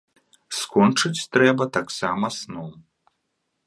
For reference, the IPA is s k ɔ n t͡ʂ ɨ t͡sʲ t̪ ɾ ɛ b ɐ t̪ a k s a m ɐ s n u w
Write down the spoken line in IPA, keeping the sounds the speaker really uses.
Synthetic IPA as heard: s k ɔ n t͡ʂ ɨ t͡sʲ t̪ ɾ ɛ b ɐ t̪ a k s a m ɐ s n ɔ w